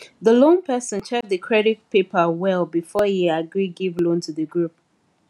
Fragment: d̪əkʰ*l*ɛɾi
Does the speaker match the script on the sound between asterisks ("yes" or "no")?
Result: no